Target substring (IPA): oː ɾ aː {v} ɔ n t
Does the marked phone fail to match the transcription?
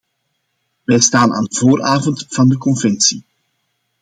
no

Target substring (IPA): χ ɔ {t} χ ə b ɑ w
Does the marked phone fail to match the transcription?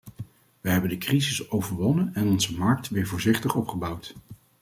yes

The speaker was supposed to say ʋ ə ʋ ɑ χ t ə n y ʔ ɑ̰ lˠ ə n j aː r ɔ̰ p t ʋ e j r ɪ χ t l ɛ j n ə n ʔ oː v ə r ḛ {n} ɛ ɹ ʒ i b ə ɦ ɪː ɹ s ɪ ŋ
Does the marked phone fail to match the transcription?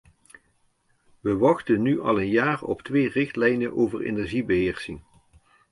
no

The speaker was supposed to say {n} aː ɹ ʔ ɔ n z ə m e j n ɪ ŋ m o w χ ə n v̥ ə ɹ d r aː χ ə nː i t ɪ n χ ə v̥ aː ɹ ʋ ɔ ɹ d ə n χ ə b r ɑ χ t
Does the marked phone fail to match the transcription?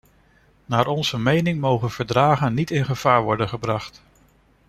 no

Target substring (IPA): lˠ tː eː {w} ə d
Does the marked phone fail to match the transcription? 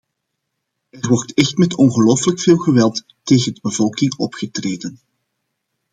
yes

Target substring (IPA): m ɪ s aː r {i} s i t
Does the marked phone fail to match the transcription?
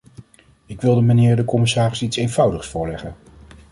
yes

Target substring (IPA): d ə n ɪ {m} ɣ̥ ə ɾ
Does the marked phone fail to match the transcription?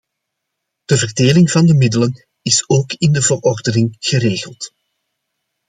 yes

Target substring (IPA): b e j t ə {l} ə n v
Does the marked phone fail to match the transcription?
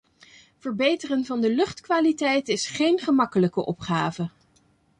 yes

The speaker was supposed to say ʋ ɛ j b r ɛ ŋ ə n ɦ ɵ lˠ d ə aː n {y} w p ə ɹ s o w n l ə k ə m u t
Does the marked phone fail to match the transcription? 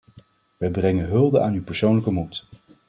no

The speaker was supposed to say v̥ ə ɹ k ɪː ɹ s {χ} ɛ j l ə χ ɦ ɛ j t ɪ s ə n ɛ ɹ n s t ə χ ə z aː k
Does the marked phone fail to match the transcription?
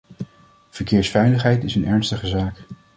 yes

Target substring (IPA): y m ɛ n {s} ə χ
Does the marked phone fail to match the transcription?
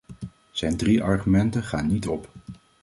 yes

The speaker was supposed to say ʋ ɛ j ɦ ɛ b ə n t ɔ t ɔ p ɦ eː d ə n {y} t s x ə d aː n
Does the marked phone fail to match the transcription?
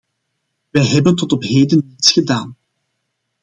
yes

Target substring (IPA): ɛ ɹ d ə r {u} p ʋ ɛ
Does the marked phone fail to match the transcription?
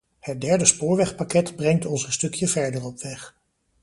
yes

